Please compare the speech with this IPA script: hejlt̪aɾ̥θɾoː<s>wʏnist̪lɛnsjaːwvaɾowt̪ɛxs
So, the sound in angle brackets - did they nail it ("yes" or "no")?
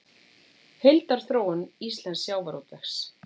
no